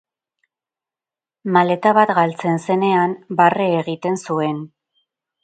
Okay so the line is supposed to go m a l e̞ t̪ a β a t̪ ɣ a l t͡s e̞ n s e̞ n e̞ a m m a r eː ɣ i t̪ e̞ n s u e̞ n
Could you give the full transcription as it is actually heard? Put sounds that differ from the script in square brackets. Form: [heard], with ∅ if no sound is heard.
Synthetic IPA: m a l e̞ t̪ a β a t̪ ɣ a l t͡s e̞ n s e̞ n e̞ a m [b] a r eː ɣ i t̪ e̞ n s u e̞ n